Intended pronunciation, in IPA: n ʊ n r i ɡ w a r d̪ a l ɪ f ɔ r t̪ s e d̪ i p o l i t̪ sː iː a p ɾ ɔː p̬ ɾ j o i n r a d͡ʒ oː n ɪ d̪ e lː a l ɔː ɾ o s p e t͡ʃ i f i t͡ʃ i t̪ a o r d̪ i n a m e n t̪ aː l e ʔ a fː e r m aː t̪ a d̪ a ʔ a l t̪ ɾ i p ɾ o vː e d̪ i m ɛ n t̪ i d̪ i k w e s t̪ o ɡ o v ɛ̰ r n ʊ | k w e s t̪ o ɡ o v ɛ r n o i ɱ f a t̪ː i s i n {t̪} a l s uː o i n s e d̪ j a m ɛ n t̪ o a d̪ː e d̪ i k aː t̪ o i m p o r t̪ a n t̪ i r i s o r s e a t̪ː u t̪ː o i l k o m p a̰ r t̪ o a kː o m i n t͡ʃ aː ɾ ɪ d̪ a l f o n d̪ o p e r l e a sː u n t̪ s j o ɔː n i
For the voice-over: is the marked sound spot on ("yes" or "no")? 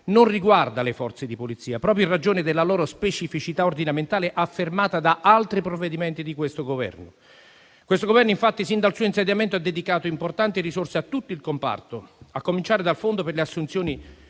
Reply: no